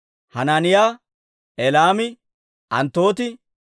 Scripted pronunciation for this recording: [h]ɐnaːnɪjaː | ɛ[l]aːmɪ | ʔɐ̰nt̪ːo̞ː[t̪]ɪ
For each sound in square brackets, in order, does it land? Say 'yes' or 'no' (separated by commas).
yes, yes, yes